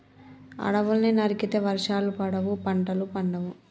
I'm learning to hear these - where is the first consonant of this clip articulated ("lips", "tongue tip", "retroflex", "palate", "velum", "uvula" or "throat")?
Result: retroflex